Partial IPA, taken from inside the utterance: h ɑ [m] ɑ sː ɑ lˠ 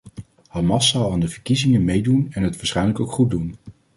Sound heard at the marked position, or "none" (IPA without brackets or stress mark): m